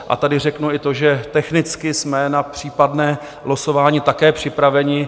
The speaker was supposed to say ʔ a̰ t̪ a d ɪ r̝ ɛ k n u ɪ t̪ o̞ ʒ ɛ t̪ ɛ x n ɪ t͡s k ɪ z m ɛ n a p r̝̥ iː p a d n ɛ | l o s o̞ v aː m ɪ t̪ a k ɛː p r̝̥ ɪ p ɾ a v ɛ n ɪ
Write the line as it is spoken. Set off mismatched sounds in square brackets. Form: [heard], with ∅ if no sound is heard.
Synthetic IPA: ʔ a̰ t̪ a d ɪ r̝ ɛ k n u ɪ t̪ o̞ ʒ ɛ t̪ ɛ x n ɪ t͡s k ɪ [s] m ɛ n a p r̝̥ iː p a d n [ɛː] | l o s o̞ v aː [ɲ] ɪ t̪ a k ɛː p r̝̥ ɪ p ɾ a v ɛ [ɲ] ɪ